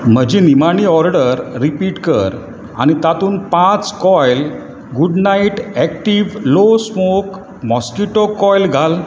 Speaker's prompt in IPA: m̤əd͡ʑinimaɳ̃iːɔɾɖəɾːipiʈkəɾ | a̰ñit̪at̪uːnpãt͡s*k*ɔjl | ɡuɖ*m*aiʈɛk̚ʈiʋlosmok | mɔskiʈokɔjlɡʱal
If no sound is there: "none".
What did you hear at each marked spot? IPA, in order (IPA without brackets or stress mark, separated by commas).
k, n